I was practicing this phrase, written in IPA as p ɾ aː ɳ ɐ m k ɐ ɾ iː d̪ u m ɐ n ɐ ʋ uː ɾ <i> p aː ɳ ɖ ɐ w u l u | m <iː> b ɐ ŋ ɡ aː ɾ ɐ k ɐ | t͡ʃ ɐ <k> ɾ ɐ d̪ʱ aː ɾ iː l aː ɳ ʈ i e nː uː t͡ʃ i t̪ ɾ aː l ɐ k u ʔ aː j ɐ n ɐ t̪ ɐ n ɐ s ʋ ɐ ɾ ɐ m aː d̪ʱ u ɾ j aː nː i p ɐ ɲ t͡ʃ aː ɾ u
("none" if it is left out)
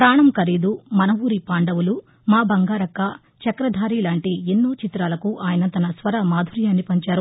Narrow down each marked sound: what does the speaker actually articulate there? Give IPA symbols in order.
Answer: i, aː, k

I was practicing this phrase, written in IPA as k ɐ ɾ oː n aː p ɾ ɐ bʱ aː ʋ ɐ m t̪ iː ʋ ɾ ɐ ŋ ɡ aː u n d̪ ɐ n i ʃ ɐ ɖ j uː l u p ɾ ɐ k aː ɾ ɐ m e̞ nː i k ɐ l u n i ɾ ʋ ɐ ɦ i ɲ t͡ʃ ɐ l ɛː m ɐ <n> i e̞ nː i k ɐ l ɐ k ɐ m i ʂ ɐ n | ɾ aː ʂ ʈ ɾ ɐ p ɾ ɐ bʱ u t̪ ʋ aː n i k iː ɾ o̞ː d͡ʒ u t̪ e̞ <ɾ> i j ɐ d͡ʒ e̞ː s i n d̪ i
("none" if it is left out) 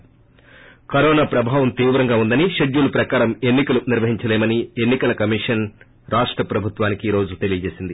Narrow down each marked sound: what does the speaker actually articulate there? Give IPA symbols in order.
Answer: n, l

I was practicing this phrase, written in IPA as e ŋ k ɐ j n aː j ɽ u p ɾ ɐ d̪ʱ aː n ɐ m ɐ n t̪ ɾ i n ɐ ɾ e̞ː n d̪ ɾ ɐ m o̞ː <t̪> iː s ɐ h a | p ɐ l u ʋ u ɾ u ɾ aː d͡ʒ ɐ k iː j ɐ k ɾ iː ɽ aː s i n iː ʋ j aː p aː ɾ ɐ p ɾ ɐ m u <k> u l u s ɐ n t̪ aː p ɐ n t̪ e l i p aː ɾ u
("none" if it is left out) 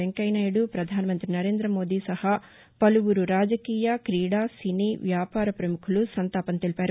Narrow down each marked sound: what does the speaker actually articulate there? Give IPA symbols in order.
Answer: d̪, kʰ

